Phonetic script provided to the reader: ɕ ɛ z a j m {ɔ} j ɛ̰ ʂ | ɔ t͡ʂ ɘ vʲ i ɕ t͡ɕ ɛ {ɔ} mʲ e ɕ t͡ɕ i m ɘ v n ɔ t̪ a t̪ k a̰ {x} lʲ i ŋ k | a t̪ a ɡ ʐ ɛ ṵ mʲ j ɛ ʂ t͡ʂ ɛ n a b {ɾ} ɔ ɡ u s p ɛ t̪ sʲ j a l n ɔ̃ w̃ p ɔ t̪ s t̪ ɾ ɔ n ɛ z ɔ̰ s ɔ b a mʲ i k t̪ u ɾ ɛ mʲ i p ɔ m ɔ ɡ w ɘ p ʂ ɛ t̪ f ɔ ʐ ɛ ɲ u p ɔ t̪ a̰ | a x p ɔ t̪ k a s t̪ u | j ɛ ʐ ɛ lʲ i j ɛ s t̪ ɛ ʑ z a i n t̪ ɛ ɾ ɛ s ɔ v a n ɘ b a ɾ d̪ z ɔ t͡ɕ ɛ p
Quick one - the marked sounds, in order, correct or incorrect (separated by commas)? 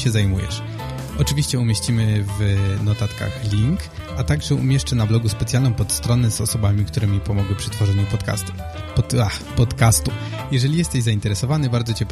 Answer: incorrect, incorrect, correct, incorrect